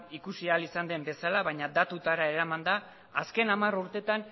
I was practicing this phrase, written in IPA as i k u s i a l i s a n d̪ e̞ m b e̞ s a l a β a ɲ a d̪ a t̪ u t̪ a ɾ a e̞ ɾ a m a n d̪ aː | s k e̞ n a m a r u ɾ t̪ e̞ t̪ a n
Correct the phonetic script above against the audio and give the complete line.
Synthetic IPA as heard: i k u s i a l i s a n d̪ e̞ m b e̞ s a l a β a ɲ a d̪ a t̪ u t̪ a ɾ a e̞ ɾ a m a n d̪ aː | s k e̞ n a m a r u ɾ t̪ e̞ t̪ a n